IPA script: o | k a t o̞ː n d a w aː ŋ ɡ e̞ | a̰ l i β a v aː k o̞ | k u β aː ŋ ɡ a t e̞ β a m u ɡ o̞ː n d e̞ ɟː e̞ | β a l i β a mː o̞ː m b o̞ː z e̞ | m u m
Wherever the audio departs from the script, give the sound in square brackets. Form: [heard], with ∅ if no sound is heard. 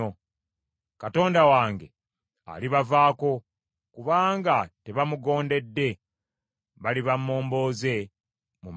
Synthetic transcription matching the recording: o | k a t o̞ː n d a w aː ŋ ɡ e̞ | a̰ l i β a v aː k o̞ | k u β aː ŋ ɡ a t e̞ β a m u ɡ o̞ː n d e̞ [dː] e̞ | β a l i β a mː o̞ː m b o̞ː z e̞ | m u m